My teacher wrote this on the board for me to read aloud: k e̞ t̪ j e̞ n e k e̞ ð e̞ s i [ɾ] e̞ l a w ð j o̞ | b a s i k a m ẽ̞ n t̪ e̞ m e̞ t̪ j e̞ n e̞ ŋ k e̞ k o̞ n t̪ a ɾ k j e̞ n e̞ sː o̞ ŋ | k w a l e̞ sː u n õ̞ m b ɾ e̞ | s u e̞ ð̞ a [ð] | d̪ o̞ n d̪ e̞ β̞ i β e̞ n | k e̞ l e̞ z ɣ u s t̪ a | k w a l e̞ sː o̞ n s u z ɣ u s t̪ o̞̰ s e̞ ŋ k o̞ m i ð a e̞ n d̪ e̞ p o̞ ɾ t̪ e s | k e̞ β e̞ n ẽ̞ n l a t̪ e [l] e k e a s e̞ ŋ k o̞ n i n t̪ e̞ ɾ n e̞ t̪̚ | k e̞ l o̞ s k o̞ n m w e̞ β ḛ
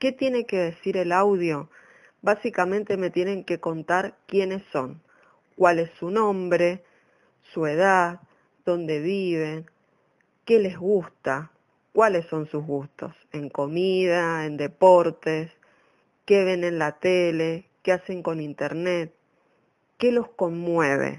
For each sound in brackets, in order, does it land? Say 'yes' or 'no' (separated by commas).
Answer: yes, yes, yes